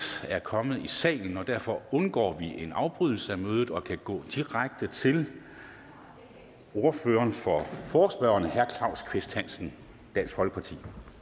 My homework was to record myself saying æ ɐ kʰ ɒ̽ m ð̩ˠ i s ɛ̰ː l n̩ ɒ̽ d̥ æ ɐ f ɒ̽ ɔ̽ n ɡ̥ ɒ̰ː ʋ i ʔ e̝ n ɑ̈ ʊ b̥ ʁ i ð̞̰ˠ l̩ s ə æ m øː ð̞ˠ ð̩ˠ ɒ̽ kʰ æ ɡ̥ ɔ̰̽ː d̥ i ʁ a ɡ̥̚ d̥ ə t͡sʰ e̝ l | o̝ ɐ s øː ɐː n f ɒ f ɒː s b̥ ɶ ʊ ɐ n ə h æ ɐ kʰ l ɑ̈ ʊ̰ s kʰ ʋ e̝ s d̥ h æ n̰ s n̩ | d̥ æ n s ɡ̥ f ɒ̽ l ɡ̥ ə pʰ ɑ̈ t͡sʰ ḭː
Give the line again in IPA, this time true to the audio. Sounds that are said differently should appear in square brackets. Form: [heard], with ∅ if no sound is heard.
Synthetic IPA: æ ɐ kʰ ɒ̽ m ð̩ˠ i s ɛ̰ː l n̩ ɒ̽ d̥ æ ɐ f ɒ̽ ɔ̽ n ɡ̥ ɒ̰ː ʋ i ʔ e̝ n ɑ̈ ʊ b̥ ʁ [y] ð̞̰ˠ l̩ s ə æ m øː ð̞ˠ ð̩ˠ ɒ̽ kʰ æ ɡ̥ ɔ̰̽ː d̥ i ʁ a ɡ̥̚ d̥ ə t͡sʰ e̝ l | o̝ ɐ [f] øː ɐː n f ɒ f ɒː s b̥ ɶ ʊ ɐ n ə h æ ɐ kʰ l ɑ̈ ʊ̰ s kʰ ʋ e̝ s d̥ h æ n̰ s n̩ | d̥ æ n s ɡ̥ f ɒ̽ l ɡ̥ ə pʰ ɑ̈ t͡sʰ ḭː